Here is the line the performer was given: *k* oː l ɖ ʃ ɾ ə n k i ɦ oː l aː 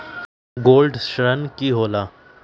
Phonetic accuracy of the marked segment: incorrect: ɡ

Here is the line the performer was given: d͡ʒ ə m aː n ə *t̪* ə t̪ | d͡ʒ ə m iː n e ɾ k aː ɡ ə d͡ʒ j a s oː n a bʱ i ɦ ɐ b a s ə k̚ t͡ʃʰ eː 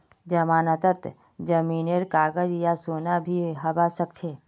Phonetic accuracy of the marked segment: correct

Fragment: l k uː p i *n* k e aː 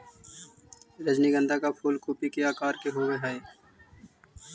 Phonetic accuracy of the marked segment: incorrect: none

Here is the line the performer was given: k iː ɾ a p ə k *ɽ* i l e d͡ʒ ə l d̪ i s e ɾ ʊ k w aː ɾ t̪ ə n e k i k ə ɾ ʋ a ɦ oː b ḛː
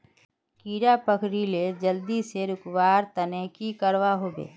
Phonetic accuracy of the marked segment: incorrect: ɾ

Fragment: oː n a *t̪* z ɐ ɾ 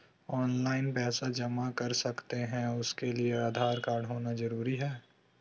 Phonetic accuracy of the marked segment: incorrect: none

